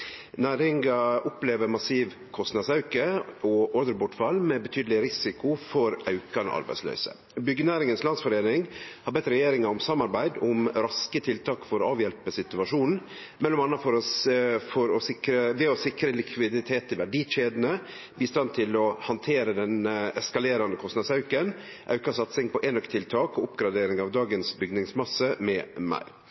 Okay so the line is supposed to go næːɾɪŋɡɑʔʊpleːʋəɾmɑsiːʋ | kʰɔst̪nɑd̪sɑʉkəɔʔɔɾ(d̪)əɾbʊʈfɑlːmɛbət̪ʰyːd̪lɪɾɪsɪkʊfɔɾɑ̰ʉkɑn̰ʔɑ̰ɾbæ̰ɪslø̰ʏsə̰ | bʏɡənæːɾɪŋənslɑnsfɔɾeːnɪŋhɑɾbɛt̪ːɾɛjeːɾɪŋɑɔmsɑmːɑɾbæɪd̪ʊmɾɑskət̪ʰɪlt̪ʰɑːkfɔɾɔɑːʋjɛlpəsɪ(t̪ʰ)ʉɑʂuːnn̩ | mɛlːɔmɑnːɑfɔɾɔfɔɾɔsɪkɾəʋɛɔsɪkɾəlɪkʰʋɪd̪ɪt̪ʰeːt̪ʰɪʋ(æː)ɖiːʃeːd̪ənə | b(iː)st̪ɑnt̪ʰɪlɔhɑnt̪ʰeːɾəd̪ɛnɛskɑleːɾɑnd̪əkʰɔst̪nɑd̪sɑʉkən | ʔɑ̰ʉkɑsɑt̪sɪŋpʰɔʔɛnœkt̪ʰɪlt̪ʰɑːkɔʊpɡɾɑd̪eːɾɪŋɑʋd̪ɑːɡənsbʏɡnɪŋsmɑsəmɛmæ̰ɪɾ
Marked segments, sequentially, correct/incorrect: correct, incorrect, incorrect, correct

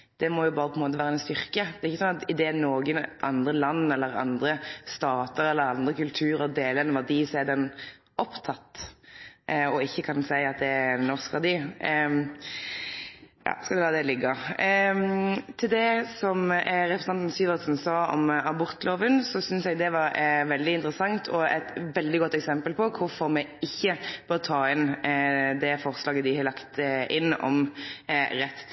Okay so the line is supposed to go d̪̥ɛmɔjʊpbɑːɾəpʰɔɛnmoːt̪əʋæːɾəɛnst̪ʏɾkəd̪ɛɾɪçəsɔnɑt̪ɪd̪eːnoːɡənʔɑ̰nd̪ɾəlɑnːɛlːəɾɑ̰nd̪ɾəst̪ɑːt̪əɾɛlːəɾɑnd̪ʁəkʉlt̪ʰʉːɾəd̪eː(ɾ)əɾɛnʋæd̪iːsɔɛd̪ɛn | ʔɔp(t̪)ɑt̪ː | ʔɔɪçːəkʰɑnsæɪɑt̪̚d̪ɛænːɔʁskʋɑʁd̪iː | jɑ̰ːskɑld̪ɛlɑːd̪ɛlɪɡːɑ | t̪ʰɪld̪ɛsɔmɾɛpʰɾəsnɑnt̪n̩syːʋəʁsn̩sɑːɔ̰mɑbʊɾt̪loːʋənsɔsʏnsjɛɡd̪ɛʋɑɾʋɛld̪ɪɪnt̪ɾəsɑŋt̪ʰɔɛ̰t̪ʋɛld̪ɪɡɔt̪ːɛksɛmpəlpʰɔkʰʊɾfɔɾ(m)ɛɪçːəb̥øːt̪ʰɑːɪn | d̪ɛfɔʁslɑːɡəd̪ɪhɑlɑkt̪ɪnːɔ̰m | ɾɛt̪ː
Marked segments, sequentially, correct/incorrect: incorrect, incorrect, correct

